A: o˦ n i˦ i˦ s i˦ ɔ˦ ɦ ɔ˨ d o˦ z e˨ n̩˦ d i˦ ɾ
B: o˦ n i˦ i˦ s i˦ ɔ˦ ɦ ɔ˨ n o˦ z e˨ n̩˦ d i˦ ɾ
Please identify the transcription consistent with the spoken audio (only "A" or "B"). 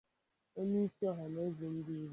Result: B